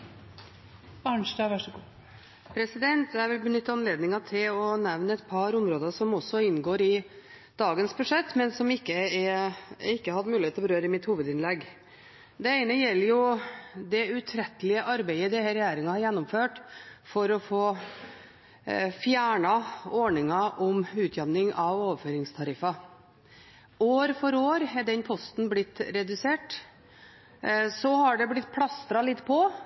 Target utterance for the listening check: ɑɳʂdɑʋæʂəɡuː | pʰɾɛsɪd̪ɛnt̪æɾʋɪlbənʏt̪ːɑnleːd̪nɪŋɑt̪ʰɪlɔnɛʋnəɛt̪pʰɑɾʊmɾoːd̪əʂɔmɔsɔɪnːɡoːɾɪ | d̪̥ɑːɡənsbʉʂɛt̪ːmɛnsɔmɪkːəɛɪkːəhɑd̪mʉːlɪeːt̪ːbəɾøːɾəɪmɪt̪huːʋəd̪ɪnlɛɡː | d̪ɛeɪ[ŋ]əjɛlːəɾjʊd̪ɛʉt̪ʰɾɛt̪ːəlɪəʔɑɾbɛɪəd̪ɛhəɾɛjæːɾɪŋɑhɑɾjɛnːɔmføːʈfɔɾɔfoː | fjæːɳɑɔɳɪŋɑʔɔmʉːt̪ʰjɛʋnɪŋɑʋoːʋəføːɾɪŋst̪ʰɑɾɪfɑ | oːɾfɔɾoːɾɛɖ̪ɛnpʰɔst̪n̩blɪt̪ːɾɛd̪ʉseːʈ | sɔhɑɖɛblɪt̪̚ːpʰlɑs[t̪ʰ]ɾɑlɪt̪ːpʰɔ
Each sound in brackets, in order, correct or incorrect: incorrect, incorrect

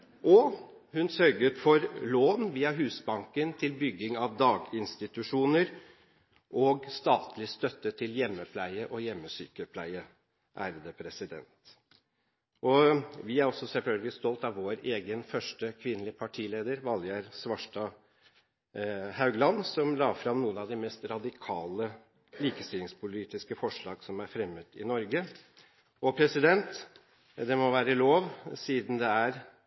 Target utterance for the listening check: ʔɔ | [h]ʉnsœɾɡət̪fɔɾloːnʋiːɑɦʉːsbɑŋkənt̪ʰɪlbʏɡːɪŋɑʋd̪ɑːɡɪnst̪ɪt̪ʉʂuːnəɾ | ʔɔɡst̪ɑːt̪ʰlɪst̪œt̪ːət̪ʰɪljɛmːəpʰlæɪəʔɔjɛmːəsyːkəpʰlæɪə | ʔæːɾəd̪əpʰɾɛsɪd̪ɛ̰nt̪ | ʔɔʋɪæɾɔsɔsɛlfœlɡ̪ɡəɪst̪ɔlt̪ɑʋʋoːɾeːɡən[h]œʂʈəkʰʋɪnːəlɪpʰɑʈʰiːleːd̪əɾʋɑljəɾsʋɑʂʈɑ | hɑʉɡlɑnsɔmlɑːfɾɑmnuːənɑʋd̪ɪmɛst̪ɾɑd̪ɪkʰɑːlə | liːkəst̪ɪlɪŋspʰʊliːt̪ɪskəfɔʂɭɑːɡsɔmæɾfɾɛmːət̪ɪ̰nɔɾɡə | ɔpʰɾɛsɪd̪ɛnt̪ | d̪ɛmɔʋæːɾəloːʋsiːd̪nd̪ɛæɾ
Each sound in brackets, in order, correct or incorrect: correct, incorrect

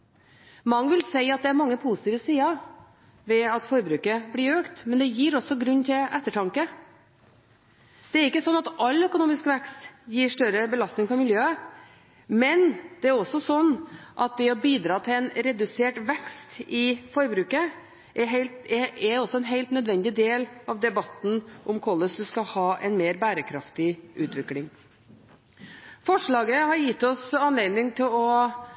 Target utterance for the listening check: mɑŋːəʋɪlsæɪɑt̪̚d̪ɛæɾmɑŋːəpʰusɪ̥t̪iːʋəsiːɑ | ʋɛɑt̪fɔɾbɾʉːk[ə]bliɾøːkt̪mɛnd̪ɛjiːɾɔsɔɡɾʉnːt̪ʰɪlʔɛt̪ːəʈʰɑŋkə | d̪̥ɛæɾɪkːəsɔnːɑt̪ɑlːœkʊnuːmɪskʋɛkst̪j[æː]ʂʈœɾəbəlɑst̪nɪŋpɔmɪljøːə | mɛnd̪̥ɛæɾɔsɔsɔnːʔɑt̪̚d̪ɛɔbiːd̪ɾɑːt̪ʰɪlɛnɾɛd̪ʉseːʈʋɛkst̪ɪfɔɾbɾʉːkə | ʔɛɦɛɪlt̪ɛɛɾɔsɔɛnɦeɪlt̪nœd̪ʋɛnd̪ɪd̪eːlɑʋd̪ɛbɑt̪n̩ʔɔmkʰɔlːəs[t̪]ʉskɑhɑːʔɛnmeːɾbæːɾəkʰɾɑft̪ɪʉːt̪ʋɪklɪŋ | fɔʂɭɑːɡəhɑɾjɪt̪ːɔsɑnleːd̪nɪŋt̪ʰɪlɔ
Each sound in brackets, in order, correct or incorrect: correct, incorrect, incorrect

